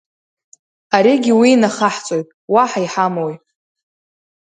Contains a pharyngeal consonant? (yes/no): yes